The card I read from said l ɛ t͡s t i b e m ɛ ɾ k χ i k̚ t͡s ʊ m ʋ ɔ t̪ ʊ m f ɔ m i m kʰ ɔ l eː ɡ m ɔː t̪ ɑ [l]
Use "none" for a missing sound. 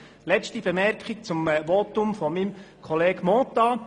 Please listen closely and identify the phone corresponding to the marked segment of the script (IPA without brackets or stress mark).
none